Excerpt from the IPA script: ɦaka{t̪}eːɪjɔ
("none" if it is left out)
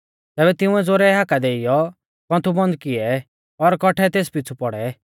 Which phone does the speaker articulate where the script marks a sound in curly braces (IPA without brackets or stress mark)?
d̪